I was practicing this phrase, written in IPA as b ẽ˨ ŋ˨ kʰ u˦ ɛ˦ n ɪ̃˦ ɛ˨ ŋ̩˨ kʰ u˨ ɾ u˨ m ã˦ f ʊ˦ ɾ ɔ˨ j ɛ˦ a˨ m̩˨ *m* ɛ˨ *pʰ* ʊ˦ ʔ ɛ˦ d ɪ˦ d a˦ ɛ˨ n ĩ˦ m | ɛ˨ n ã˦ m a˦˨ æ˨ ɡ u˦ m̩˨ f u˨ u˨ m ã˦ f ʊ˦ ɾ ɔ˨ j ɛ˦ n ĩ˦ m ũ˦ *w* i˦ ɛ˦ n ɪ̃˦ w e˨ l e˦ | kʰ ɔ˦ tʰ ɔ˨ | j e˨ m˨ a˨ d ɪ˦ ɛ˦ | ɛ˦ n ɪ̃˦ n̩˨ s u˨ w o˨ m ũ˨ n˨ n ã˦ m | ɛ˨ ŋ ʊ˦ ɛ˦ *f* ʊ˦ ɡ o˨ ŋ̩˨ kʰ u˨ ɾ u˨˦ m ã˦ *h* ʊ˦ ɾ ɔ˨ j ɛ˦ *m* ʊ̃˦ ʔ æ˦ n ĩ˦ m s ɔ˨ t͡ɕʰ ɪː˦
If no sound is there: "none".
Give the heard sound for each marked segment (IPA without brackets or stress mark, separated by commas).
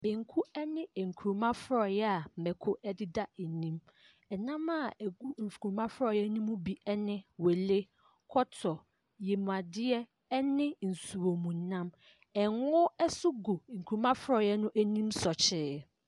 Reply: m, kʰ, b, s, f, n